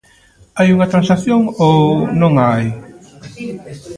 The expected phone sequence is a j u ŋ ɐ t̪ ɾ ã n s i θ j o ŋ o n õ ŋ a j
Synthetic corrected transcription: a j u ŋ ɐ t̪ ɾ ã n s a θ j o ŋ o n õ ŋ a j